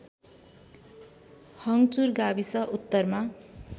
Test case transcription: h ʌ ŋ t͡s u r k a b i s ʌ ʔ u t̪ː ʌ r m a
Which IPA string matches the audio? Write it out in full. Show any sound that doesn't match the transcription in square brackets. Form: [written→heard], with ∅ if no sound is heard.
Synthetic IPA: h ʌ ŋ t͡s u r [k→ɡ] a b i s ʌ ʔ u t̪ː ʌ r m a